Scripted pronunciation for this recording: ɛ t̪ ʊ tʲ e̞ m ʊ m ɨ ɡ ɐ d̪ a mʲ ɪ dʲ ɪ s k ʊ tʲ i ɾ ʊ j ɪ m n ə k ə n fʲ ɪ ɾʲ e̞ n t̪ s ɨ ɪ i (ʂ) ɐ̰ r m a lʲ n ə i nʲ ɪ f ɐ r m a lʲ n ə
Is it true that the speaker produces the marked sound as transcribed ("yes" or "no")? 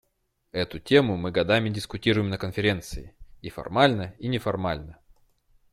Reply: no